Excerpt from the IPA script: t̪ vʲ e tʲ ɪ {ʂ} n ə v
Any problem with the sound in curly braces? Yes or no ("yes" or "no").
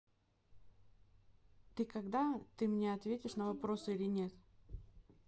no